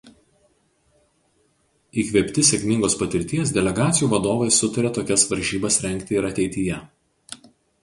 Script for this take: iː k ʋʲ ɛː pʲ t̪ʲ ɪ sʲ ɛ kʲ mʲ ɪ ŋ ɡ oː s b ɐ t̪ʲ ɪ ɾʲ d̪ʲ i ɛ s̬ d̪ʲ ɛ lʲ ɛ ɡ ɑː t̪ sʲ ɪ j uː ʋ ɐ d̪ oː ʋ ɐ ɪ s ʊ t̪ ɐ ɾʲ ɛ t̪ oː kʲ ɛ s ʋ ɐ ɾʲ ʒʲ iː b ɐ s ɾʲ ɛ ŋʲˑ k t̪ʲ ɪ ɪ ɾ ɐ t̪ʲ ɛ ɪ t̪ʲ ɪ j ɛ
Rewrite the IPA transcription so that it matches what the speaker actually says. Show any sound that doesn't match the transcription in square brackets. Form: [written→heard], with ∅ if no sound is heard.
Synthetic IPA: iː k ʋʲ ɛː pʲ t̪ʲ ɪ sʲ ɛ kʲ mʲ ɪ ŋ ɡ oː s [b→p] ɐ t̪ʲ ɪ ɾʲ [d̪ʲ→t̪ʲ] i ɛ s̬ d̪ʲ ɛ lʲ ɛ ɡ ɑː t̪ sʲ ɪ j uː ʋ ɐ d̪ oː ʋ ɐ ɪ s ʊ t̪ ɐ ɾʲ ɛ t̪ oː kʲ ɛ s ʋ ɐ ɾʲ ʒʲ iː b ɐ s ɾʲ ɛ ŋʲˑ k t̪ʲ ɪ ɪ ɾ ɐ t̪ʲ ɛ ɪ t̪ʲ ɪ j ɛ